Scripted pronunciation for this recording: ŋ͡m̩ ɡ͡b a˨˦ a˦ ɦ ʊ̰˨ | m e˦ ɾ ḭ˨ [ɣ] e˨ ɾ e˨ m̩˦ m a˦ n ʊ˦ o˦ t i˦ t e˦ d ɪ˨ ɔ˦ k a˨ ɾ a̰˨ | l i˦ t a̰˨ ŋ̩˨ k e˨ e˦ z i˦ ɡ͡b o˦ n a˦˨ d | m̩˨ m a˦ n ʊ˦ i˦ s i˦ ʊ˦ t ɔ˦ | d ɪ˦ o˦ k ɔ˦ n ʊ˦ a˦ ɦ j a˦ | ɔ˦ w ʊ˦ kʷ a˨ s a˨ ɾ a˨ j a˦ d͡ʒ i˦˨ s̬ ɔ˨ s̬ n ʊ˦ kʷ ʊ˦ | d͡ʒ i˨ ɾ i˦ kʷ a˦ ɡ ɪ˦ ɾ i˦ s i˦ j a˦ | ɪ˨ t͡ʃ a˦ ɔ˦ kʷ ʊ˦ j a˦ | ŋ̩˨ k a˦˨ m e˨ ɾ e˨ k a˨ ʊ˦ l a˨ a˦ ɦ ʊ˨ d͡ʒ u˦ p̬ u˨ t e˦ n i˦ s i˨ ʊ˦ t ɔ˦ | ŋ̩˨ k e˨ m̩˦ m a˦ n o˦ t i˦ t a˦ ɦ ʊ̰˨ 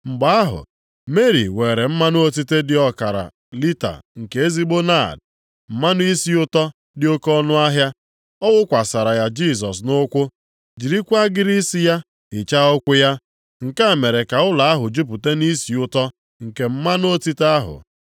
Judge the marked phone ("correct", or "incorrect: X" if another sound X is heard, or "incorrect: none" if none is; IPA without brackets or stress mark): incorrect: w